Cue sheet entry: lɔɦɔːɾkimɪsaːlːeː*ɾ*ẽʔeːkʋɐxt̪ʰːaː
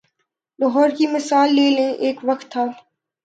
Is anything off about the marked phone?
yes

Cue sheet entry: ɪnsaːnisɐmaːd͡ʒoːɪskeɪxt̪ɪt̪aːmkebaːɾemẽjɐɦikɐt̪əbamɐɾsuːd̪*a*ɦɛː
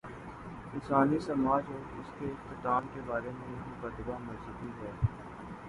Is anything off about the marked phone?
yes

